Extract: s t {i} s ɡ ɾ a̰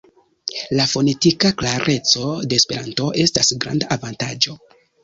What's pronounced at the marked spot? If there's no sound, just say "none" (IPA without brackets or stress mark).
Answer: a